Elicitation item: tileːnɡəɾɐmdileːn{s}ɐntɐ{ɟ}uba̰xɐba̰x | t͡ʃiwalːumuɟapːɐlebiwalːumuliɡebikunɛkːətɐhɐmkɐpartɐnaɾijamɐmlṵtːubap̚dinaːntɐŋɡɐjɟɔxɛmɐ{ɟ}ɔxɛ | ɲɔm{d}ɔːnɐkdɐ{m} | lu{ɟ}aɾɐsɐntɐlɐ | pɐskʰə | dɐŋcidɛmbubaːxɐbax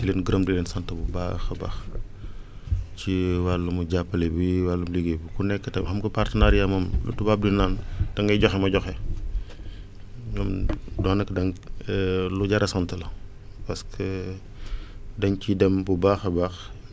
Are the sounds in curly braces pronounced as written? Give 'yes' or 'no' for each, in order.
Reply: yes, no, yes, yes, no, yes

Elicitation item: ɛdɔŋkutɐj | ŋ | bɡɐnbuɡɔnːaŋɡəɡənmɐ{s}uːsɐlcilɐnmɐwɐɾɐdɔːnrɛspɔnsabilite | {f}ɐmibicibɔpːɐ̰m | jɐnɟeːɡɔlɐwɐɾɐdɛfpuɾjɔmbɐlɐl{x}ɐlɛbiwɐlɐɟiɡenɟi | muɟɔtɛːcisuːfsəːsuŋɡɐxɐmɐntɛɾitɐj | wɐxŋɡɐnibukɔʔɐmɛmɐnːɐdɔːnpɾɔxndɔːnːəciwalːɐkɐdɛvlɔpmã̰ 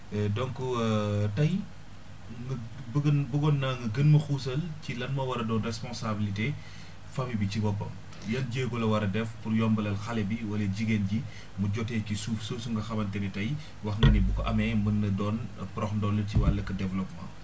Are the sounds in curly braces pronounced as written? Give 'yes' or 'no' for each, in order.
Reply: no, yes, yes

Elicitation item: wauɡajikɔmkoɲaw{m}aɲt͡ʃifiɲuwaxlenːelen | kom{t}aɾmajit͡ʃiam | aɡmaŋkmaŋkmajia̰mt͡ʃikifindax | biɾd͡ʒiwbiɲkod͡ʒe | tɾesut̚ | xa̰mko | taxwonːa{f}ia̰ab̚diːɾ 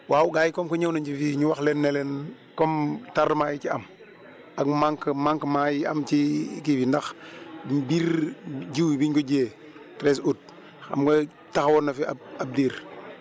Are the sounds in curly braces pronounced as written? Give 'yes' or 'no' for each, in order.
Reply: no, yes, yes

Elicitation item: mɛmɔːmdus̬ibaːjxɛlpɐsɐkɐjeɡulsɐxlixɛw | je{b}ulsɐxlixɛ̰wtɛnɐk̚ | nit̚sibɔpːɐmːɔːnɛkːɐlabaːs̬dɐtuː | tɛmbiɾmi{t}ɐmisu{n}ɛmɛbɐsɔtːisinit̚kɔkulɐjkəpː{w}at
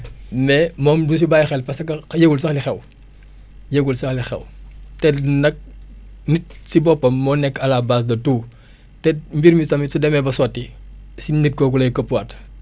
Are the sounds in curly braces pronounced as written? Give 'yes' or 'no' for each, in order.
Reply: no, no, no, yes

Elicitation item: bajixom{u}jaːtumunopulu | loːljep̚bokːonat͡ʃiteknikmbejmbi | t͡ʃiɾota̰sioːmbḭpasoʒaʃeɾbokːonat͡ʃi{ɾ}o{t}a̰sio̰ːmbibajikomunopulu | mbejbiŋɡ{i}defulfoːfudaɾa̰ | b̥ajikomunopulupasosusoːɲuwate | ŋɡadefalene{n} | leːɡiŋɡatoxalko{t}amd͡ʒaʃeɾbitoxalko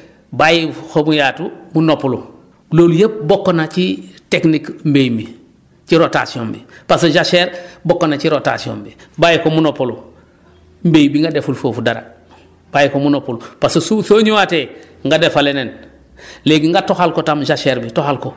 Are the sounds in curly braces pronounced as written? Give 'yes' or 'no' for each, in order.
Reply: yes, yes, yes, no, yes, yes

